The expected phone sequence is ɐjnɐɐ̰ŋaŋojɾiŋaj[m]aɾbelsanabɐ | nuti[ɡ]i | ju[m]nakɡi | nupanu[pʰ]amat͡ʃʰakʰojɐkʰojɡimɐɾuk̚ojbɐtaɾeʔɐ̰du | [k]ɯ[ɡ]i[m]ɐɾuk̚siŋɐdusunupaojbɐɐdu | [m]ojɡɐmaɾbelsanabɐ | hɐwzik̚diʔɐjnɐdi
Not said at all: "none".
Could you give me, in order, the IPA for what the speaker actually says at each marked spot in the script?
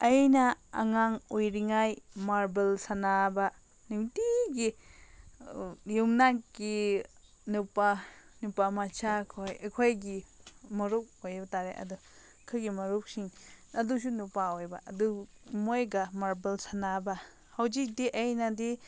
m, ɡ, m, p, kʰ, ɡ, m, m

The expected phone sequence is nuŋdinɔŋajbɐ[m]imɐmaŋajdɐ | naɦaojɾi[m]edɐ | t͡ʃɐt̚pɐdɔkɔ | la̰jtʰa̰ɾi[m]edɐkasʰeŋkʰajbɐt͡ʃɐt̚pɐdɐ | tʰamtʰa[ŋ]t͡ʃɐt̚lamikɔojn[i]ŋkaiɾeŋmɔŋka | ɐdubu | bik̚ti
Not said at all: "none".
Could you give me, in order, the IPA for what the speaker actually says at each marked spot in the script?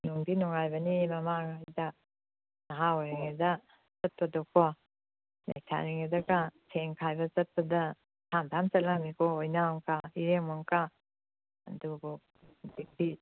n, ŋ, ŋ, m, a

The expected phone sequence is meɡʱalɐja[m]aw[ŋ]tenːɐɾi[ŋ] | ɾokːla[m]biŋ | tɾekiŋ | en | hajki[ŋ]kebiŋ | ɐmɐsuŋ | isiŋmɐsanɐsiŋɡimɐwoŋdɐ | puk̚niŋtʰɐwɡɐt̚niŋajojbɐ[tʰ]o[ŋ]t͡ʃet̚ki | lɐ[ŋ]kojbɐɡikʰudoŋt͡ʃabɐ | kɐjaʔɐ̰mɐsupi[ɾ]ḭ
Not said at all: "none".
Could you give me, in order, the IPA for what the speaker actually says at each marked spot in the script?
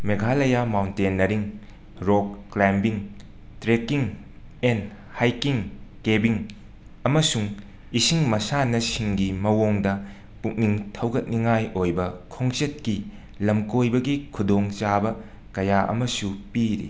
m, n, ŋ, m, ŋ, kʰ, ŋ, m, ɾ

